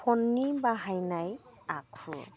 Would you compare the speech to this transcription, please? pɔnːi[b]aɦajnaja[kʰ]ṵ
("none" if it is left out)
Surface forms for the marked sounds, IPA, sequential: b, kʰ

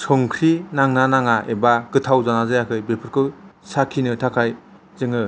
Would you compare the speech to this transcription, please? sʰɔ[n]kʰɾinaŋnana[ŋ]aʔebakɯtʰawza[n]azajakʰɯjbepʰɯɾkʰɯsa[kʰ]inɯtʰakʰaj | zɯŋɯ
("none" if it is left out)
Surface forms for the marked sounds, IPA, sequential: ŋ, ŋ, n, kʰ

